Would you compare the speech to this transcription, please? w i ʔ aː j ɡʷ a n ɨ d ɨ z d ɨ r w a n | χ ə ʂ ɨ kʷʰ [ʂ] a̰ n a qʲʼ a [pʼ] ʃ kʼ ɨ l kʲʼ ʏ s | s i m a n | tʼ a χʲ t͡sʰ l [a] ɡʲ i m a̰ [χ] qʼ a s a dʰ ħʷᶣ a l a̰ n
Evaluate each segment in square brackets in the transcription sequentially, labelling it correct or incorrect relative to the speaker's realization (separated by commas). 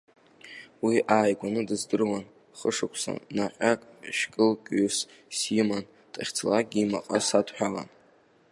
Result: incorrect, incorrect, correct, incorrect